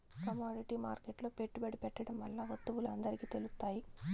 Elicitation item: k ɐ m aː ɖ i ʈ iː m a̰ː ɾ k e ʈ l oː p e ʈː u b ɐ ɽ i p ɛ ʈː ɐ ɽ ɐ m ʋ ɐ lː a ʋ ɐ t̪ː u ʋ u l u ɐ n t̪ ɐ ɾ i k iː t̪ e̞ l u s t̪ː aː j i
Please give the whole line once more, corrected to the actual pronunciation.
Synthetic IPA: k ɐ m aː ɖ i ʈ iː m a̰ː ɾ k e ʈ l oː p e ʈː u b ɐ ɽ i p ɛ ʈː ɐ ɽ ɐ m ʋ ɐ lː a ʋ ɐ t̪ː u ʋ u l u ɐ n d̪ ɐ ɾ i k iː t̪ e̞ l u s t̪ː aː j i

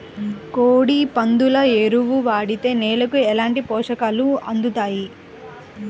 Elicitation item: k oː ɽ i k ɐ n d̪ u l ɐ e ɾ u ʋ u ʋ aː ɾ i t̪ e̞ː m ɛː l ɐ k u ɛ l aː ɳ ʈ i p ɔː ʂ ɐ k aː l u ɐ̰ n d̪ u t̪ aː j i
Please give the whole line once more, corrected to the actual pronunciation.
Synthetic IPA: k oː ɽ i p ɐ n d̪ u l ɐ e ɾ u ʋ u ʋ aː ɽ i t̪ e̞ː n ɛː l ɐ k u ɛ l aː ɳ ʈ i p ɔː ʂ ɐ k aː l u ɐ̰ n d̪ u t̪ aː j i

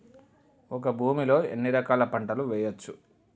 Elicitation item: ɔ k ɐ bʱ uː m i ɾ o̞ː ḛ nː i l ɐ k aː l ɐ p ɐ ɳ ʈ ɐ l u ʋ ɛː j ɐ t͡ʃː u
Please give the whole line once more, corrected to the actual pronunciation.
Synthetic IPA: ɔ k ɐ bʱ uː m i l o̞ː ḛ nː i ɾ ɐ k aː l ɐ p ɐ ɳ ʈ ɐ l u ʋ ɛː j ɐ t͡ʃː u

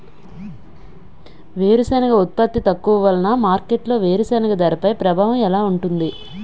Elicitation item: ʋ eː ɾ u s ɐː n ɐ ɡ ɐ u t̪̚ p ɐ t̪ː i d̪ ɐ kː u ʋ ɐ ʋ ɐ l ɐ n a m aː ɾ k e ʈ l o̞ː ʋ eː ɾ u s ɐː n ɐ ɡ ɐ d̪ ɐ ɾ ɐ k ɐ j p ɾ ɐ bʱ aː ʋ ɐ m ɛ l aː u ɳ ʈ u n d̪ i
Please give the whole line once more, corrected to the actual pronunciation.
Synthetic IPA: ʋ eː ɾ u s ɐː n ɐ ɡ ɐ u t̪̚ p ɐ t̪ː i t̪ ɐ kː u ʋ ɐ ʋ ɐ l ɐ n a m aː ɾ k e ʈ l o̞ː ʋ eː ɾ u s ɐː n ɐ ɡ ɐ d̪ ɐ ɾ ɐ p ɐ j p ɾ ɐ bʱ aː ʋ ɐ m ɛ l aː u ɳ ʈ u n d̪ i

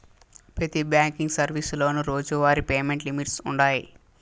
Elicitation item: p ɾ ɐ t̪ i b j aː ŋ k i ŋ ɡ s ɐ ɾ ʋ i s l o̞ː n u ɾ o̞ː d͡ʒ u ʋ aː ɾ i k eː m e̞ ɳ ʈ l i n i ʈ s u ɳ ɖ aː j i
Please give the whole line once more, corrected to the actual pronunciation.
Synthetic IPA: p ɾ ɐ t̪ i b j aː ŋ k i ŋ ɡ s ɐ ɾ ʋ i s l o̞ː n u ɾ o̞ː d͡ʒ u ʋ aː ɾ i p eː m e̞ ɳ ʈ l i m i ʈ s u ɳ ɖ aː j i

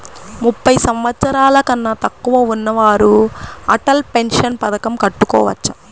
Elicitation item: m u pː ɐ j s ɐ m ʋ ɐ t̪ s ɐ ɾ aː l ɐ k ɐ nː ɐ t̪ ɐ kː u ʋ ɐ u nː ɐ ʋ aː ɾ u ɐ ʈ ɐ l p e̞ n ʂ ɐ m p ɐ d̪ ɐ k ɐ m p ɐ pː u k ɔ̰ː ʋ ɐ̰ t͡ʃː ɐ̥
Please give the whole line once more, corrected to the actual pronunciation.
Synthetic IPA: m u pː ɐ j s ɐ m ʋ ɐ t̪ s ɐ ɾ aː l ɐ k ɐ nː ɐ t̪ ɐ kː u ʋ ɐ u nː ɐ ʋ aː ɾ u ɐ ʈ ɐ l p e̞ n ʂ ɐ n p ɐ d̪ ɐ k ɐ m k ɐ ʈː u k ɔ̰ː ʋ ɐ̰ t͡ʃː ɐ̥

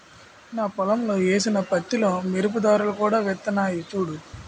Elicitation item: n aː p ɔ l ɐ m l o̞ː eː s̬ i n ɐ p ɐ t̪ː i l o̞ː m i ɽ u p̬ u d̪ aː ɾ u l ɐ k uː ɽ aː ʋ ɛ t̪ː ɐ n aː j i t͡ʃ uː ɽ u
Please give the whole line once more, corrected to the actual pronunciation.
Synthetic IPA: n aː p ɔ l ɐ m l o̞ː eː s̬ i n ɐ p ɐ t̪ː i l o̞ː m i ɾ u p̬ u d̪ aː ɾ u l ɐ k uː ɽ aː ʋ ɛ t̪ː ɐ n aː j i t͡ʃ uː ɽ u

